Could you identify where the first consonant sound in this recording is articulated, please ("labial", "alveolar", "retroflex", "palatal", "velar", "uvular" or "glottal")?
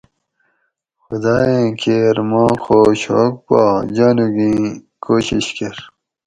velar